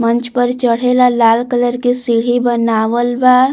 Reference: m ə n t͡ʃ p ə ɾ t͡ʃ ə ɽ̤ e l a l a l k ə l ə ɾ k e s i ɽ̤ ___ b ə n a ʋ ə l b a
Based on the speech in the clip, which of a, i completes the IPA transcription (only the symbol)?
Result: i